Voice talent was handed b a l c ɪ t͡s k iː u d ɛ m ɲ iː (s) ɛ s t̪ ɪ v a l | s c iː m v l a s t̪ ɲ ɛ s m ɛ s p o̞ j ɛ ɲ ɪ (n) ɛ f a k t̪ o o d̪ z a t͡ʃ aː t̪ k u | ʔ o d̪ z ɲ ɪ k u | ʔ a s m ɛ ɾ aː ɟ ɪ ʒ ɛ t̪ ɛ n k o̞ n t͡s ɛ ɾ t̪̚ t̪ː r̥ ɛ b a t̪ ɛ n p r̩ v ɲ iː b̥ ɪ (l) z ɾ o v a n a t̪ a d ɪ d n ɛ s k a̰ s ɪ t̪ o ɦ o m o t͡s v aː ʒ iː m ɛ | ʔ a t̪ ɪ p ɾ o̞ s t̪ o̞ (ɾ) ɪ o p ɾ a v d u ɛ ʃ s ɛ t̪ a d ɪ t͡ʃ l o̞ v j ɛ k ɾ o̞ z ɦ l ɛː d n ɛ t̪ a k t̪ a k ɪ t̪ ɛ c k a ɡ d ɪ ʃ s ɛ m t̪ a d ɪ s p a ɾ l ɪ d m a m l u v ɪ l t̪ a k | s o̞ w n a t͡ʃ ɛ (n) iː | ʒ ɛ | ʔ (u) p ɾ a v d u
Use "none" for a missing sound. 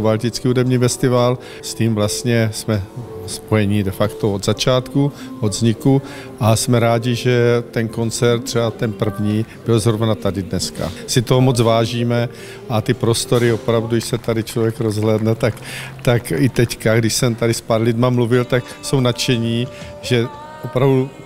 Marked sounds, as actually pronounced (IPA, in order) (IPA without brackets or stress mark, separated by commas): f, d, l, ɾ, ɲ, o